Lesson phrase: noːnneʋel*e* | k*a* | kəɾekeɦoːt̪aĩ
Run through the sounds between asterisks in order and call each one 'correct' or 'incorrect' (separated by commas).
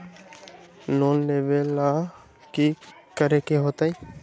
incorrect, incorrect